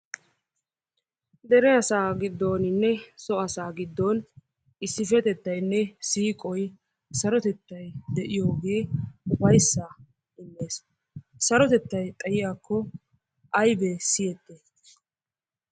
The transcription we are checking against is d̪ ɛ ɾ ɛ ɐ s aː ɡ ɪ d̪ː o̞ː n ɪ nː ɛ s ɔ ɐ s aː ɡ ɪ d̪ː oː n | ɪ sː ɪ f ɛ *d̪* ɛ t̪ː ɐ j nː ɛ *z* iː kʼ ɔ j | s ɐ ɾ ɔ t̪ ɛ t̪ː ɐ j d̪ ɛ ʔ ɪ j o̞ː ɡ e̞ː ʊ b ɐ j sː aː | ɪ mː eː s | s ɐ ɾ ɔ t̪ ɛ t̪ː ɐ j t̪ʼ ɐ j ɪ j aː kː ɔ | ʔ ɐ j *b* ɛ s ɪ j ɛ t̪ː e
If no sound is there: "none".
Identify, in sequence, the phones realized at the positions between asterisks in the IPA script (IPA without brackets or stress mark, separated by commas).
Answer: t̪, s, b